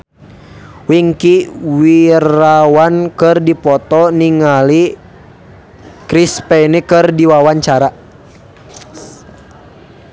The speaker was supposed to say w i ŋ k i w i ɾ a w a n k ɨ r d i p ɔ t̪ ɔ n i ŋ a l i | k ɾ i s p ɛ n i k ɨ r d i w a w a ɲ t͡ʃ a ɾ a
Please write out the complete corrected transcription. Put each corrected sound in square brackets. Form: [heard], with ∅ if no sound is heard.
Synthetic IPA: w i ŋ k i w i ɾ a w a n k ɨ r d i p ɔ t̪ ɔ n i ŋ a l i | k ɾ i s p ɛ n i k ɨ r d i w a w a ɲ t͡ʃ a ɾ a